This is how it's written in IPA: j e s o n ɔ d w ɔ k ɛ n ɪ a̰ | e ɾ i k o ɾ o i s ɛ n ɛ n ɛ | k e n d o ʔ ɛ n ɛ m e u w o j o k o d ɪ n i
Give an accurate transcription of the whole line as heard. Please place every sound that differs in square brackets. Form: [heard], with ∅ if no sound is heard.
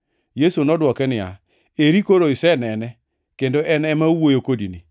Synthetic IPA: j e s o n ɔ d w ɔ k ɛ n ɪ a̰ | e ɾ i k o ɾ o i s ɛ n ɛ n ɛ | k e n d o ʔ ɛ n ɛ m [a] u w o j o k o d [i] n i